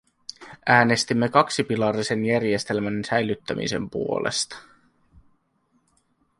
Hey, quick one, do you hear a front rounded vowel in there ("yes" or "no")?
yes